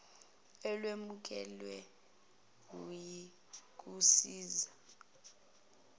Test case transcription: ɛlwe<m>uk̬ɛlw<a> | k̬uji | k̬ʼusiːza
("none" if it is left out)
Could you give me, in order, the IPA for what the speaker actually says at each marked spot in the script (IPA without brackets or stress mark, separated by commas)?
m, ɛ